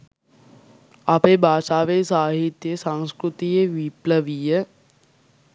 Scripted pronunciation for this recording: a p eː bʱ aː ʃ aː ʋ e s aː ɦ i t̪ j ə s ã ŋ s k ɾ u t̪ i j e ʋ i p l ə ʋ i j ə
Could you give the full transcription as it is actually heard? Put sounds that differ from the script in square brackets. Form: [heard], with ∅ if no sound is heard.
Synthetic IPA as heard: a p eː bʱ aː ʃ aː ʋ e s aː ɦ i t̪ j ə s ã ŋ s k ɾ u t̪ i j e ʋ i p l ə ʋ i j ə